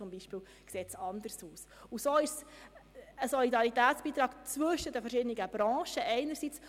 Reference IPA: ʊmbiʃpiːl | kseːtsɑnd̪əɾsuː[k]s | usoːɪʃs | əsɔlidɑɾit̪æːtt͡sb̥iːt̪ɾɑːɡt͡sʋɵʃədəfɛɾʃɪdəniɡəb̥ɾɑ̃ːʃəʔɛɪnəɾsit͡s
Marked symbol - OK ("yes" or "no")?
no